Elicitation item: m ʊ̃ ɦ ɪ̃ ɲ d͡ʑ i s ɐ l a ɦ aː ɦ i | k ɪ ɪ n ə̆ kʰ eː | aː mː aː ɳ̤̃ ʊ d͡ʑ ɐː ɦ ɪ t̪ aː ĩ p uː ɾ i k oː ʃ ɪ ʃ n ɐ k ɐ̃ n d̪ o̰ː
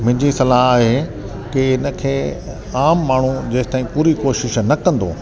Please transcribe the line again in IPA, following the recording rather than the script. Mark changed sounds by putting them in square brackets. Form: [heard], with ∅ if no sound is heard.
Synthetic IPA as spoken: m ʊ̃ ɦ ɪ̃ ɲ d͡ʑ i s ɐ l a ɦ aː ɦ [e] | k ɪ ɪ n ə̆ kʰ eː | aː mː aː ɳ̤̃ [u] d͡ʑ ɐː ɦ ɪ t̪ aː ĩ p uː ɾ i k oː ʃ ɪ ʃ n ɐ k ɐ̃ n d̪ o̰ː